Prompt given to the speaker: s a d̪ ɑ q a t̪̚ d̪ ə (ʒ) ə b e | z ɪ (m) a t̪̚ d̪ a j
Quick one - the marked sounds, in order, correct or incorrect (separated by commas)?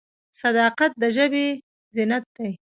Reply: correct, incorrect